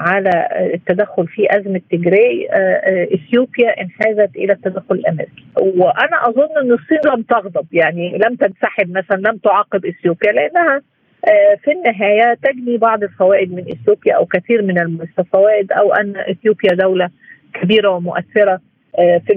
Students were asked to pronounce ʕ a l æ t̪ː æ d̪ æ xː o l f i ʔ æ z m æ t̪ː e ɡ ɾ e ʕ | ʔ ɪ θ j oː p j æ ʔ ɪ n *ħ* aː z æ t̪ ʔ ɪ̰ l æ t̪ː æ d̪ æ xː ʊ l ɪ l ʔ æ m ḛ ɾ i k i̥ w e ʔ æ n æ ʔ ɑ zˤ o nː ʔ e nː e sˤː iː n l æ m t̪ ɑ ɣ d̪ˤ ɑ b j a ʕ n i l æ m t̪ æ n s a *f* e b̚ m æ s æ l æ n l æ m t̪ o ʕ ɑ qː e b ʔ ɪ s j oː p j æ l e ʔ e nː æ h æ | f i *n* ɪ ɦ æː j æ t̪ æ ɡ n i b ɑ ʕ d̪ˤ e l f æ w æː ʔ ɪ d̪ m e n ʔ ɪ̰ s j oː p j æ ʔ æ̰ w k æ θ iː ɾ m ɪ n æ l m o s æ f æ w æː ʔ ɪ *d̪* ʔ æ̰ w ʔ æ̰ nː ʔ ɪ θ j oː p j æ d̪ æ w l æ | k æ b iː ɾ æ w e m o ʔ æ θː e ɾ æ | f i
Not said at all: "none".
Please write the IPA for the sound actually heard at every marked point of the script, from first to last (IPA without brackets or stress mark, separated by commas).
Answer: ħ, ħ, nː, d̪